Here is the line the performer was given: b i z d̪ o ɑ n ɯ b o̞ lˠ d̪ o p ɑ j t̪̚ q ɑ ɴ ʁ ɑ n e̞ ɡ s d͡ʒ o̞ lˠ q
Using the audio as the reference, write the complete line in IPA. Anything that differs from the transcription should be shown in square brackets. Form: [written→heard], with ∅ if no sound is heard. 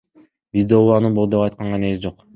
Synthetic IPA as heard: b i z d̪ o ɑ n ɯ b o̞ lˠ d̪ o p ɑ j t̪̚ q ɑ ɴ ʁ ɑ n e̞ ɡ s d͡ʒ o̞ [lˠ→∅] q